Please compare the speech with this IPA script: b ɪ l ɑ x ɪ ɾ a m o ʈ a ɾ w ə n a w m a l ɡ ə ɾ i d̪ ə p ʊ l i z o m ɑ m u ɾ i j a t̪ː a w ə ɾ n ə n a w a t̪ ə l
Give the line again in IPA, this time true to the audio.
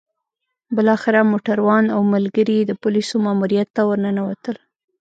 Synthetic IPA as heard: b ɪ l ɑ x ɪ ɾ a m o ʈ a ɾ w ɑ n a w m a l ɡ ə ɾ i d̪ ə p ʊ l i s o m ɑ m u ɾ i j a t̪ː a w ə ɾ n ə n a w a t̪ ə l